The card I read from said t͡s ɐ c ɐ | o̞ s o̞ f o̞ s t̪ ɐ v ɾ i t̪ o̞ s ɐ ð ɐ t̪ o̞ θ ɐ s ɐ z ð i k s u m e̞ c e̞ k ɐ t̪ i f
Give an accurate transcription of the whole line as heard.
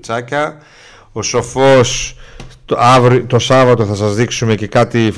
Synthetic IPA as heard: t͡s ɐ c ɐ | o̞ s o̞ f o̞ s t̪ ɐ v ɾ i t̪ o̞ s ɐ v ɐ t̪ o̞ θ ɐ s ɐ z ð i k s u m e̞ c e̞ k ɐ t̪ i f